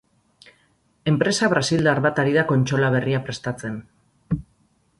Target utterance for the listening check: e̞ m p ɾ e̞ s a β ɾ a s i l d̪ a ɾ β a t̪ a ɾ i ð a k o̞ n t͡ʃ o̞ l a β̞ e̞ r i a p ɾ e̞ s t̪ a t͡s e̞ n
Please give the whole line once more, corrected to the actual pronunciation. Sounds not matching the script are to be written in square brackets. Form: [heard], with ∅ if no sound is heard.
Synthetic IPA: e̞ m p ɾ e̞ s a β ɾ a s i l d̪ a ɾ β a t̪ a ɾ i ð a k o̞ n t͡ʃ o̞ l a β̞ e̞ r i a p ɾ e̞ s t̪ a t͡s e̞ n